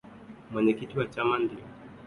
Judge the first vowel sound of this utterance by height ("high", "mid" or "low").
mid